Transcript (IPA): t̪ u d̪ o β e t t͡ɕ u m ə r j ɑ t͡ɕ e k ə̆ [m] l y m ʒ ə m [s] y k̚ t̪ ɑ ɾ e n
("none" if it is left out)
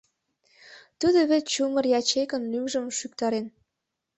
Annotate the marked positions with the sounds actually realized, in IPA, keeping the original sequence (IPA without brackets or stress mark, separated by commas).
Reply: n, ʃ